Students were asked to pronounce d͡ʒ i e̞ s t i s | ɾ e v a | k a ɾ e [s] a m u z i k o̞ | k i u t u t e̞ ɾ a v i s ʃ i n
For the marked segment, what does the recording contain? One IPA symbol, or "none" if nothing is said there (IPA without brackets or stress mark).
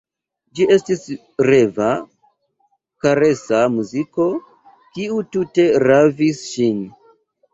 s